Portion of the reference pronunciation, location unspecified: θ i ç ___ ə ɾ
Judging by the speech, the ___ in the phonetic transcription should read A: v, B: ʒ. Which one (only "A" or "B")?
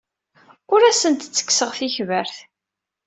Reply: A